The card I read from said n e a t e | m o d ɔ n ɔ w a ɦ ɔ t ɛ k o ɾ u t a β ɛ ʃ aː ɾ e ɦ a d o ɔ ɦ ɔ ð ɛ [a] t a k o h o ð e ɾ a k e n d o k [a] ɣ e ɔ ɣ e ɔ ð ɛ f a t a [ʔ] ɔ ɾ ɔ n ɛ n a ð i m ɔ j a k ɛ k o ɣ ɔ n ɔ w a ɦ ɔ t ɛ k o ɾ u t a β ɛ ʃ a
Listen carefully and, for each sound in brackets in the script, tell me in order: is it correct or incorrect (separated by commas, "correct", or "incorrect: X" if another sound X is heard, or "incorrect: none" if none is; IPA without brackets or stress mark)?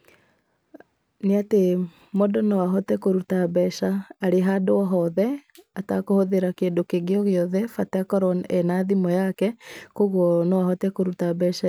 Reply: correct, incorrect: e, incorrect: k